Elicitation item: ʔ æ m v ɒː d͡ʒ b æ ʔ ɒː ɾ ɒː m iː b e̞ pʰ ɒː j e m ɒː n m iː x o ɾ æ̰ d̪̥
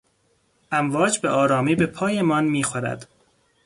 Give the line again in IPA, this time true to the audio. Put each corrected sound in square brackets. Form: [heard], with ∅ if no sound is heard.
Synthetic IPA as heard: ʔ æ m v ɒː d͡ʒ b [e] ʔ ɒː ɾ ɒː m iː b e̞ pʰ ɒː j e m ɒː n m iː x o ɾ æ̰ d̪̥